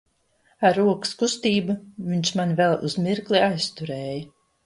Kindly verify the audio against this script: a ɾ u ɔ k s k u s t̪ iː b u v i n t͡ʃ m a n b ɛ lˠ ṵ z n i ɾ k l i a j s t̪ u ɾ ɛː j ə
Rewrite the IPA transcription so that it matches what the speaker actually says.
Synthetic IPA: a ɾ u ɔ k s k u s t̪ iː b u v i ɲ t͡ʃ m a n v ɛ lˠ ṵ z m i ɾ k l i a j s t̪ u ɾ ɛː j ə

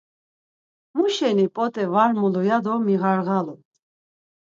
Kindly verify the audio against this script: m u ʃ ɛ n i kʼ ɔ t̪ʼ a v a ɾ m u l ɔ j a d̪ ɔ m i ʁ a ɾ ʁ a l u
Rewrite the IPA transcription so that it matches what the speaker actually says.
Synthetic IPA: m u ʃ ɛ n i pʼ ɔ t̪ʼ ɛ v a ɾ m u l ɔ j a d̪ ɔ m i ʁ a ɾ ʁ a l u

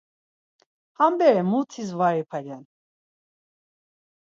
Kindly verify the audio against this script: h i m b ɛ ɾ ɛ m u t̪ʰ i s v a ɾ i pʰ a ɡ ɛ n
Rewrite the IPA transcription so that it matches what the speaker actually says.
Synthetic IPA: h a m b ɛ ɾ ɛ m u t̪ʰ i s v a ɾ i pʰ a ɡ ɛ n

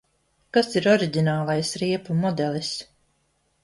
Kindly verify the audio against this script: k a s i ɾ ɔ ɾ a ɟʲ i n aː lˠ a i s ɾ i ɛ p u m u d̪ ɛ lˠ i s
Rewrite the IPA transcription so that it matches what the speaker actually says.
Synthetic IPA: k a s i ɾ ɔ ɾ i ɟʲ i n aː lˠ a j s ɾ i ɛ p u m ɔ d̪ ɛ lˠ i s

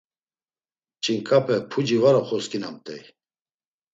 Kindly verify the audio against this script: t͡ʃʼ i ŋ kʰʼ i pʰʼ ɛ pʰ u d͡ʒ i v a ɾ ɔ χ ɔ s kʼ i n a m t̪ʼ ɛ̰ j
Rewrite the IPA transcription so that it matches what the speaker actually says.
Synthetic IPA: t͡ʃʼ i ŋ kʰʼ a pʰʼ ɛ pʰ u d͡ʒ i v a ɾ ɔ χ ɔ s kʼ i n a m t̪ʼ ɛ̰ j

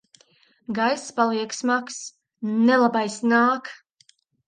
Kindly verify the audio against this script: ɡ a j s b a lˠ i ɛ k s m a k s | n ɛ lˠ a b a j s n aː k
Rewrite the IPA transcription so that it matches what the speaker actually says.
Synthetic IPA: ɡ a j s p a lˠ i ɛ k s m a k s | n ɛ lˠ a b a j s n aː k

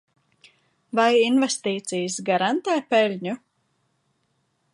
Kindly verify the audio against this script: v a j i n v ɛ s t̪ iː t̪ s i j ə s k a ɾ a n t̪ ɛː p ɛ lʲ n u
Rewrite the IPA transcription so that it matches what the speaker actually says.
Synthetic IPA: v a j i n v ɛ s t̪ iː t̪ s i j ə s ɡ a ɾ a n t̪ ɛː p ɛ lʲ ɲ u

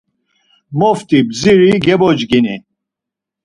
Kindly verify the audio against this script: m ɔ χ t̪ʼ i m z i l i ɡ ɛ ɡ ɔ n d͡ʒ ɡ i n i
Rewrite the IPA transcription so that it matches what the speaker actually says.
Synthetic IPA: m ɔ f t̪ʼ i b z i ɾ i ɡ ɛ b ɔ d͡ʒ ɡ i n i

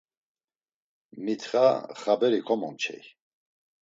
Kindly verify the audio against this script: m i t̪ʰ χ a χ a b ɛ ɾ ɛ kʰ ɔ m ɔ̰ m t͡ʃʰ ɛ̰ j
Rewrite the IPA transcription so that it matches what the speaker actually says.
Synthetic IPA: m i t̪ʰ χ a χ a b ɛ ɾ i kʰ ɔ m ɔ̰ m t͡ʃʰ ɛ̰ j

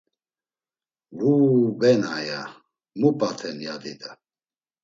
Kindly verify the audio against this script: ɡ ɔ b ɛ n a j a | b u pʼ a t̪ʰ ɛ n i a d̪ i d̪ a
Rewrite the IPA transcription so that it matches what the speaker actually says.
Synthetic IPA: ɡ u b ɛ n a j a | m u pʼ a t̪ʰ ɛ n j a d̪ i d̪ a

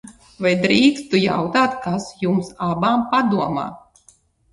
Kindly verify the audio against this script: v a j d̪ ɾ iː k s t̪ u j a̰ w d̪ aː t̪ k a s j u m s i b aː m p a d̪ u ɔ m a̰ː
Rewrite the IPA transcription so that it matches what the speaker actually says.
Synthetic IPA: v a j d̪ ɾ iː k s t̪ u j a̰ w t̪ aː t̪ k a s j u m s a b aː m p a d̪ u ɔ m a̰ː

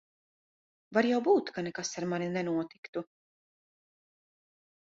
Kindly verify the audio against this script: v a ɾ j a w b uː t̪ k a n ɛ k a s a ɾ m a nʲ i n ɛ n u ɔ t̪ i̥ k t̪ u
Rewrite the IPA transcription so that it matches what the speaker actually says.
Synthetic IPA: v a ɾ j a w b uː t̪ k a n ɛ k a s a ɾ m a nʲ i n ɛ n u ɔ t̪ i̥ k t̪ u

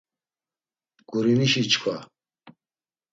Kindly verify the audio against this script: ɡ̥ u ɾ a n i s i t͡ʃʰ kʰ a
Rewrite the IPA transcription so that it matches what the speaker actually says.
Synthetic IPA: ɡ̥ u ɾ i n i ʃ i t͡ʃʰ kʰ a

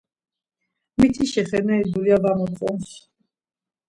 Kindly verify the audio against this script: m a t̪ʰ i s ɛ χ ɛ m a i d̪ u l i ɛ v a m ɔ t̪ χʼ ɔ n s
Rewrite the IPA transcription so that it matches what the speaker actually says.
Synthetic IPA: m i t̪ʰ i ʃ ɛ χ ɛ n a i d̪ u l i a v a m ɔ t̪ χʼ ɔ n s

